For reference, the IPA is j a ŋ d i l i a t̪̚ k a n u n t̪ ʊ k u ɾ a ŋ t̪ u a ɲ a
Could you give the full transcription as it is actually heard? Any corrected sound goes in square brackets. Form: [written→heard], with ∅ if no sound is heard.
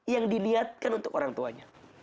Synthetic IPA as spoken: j a ŋ d i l i a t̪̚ k a n u n t̪ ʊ k [u→o] ɾ a ŋ t̪ u a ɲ a

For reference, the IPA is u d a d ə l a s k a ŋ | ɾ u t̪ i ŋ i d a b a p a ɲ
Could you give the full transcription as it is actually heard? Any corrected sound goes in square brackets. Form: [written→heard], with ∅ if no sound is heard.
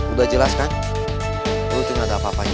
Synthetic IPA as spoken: u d a [d→d͡ʒ] ə l a s k a [ŋ→n] | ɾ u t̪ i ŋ [i→a] d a [b→p] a p a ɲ

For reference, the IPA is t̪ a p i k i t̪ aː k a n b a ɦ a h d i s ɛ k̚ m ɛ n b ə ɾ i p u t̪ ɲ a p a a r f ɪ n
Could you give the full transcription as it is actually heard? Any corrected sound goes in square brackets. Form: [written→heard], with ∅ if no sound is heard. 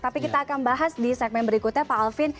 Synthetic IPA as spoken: t̪ a p i k i t̪ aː k a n b a ɦ a [h→s] d i s ɛ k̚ m ɛ n b ə ɾ i [p→k] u t̪ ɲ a p a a [r→l] f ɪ n

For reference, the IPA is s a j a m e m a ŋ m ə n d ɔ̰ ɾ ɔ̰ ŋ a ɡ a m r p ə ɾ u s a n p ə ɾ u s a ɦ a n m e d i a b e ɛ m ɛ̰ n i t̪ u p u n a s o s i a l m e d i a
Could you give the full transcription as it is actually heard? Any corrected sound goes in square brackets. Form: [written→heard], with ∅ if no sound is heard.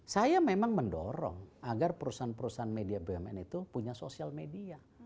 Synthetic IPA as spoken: s a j a m e m a ŋ m ə n d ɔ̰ ɾ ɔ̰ ŋ a ɡ a [m→∅] r p ə ɾ u s a n p ə ɾ u s a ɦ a n m e d i a b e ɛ m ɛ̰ n i t̪ u p u [n→ɲ] a s o s i a l m e d i a

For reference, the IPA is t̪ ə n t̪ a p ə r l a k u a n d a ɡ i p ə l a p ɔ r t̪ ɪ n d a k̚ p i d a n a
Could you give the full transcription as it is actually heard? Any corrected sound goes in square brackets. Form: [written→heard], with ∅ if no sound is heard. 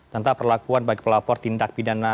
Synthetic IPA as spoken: t̪ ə n t̪ a p ə r l a k u a n [d→b] a ɡ i p ə l a p ɔ r t̪ [ɪ→i] n d a k̚ p i d a n a

